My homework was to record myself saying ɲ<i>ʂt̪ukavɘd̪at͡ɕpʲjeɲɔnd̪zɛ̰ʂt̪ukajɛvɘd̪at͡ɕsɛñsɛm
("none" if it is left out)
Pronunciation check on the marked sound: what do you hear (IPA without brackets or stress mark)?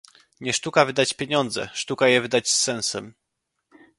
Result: ɛ